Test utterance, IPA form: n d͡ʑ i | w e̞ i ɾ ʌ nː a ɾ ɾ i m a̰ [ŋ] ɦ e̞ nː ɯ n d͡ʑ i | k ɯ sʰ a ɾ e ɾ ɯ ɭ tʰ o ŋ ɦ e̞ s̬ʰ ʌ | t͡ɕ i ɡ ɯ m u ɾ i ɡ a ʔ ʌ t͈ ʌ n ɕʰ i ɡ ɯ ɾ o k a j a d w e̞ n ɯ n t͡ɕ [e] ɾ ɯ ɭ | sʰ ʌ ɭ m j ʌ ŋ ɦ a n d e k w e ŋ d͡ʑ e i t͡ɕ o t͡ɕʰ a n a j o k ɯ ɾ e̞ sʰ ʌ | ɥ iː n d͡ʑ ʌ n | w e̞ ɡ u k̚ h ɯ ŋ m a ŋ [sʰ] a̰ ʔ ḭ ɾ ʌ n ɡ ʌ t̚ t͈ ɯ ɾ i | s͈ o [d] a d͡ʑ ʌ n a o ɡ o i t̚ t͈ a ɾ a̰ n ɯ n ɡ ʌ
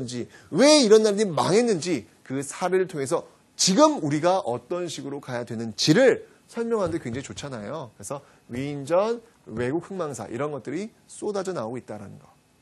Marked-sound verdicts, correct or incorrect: correct, incorrect: i, correct, correct

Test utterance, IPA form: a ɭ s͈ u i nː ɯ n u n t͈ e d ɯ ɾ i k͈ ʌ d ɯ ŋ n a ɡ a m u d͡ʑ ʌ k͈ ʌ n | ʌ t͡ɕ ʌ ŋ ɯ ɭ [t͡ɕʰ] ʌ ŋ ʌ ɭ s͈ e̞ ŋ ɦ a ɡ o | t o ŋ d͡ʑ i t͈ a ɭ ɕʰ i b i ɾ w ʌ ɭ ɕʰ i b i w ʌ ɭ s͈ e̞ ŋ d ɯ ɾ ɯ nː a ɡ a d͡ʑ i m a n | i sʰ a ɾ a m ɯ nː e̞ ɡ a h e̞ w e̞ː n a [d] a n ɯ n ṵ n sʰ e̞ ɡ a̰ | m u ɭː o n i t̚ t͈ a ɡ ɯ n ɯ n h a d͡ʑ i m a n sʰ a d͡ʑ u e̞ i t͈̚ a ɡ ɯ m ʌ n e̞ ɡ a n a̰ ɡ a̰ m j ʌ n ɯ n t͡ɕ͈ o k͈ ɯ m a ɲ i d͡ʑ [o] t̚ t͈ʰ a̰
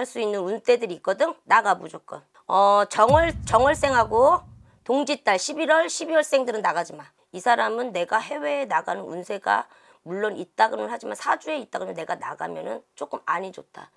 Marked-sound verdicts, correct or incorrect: incorrect: t͡ɕ, incorrect: ɡ, correct

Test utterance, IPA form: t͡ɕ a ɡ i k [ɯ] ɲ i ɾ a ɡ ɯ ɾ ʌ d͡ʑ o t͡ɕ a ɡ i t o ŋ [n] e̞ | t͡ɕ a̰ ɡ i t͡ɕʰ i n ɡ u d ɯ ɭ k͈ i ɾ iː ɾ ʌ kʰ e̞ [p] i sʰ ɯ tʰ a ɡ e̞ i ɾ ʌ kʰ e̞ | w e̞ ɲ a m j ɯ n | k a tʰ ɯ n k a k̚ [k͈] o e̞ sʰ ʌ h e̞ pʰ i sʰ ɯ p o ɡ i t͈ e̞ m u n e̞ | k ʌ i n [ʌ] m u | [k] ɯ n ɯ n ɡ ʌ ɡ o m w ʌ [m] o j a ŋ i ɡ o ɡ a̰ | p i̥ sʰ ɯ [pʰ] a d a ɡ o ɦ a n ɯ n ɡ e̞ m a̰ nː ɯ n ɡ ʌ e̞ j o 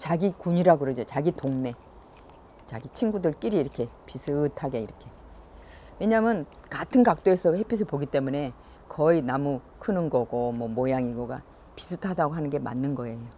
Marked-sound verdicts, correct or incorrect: incorrect: u, correct, correct, incorrect: t͈, incorrect: a, incorrect: kʰ, correct, incorrect: tʰ

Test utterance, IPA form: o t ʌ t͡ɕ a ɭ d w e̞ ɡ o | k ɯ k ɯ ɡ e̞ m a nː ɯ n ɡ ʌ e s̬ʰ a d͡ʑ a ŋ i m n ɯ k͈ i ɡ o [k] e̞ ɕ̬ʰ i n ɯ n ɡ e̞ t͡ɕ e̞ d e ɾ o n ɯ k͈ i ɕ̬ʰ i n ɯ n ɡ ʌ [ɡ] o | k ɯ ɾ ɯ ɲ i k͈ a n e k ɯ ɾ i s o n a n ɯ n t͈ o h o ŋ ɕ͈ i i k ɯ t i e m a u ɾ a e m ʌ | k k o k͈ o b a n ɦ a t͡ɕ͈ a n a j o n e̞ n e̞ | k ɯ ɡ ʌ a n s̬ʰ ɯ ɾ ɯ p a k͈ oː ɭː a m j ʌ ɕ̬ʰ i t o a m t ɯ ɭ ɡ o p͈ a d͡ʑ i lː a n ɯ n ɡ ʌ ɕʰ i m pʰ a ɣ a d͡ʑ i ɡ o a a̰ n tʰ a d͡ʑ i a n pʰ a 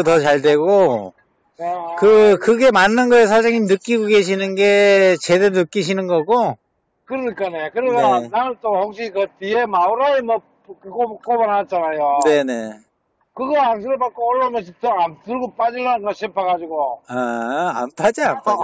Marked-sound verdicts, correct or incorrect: incorrect: ɡ, correct

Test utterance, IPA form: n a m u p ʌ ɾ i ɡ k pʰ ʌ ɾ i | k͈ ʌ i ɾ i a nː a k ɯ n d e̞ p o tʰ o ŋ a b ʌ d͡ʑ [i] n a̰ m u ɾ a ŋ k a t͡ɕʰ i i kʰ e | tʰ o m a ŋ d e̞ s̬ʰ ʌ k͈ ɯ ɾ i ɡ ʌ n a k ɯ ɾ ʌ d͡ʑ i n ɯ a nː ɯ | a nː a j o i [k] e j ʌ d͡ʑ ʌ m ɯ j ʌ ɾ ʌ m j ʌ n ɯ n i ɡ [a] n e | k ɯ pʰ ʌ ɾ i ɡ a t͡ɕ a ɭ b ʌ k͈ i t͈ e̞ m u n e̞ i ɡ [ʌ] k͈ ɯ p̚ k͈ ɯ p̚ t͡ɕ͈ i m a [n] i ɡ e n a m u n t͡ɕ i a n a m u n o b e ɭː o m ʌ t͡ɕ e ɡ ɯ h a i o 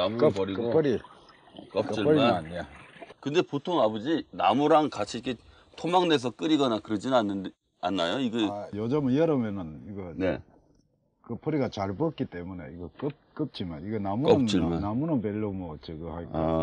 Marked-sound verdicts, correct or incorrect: correct, incorrect: ɡ, incorrect: ʌ, correct, correct

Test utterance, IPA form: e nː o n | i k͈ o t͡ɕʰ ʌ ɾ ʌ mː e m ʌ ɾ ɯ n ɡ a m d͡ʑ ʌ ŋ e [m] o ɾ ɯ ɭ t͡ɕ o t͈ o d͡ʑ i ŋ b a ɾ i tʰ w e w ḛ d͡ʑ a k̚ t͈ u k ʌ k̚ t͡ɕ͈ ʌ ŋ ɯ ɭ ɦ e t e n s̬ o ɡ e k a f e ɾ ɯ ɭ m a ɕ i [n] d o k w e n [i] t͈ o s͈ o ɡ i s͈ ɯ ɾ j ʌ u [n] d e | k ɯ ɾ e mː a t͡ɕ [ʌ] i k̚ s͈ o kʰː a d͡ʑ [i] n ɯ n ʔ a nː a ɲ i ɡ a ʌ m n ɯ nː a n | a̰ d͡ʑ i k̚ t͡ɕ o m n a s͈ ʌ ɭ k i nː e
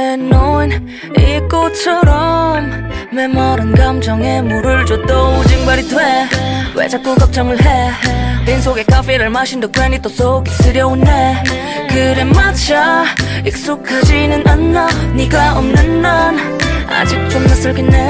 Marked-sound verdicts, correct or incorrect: correct, correct, correct, correct, incorrect: a, correct

